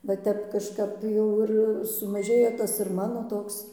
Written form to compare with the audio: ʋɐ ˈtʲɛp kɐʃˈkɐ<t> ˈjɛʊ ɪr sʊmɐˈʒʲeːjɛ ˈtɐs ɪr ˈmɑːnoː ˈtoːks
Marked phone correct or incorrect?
incorrect